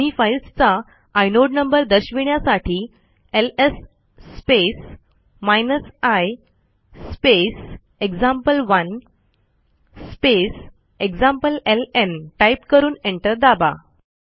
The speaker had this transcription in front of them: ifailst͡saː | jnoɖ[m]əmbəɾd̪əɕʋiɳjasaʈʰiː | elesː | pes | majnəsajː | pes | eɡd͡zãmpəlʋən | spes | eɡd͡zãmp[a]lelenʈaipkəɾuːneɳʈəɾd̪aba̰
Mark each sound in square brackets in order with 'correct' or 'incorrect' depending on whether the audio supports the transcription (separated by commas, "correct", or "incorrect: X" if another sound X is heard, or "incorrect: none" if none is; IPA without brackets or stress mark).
incorrect: n, incorrect: ə